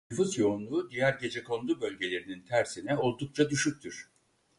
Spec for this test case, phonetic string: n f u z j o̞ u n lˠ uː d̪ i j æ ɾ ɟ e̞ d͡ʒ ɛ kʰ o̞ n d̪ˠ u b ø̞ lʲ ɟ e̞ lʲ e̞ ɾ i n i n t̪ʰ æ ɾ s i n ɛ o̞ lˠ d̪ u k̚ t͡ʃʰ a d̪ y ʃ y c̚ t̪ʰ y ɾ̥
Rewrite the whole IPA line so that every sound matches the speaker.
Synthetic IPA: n f u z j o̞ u n lˠ uː d̪ i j æ ɾ ɟ e̞ d͡ʒ ɛ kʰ o̞ n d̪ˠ u b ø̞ lʲ ɟ e̞ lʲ e̞ ɾ i n i n t̪ʰ æ ɾ s i n ɛ o̞ lˠ d̪ u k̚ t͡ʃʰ a d̪ y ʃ y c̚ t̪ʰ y ɾ̥